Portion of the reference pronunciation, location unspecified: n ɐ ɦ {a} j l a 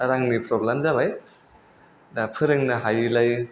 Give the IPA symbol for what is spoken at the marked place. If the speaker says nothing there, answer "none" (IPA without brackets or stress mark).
a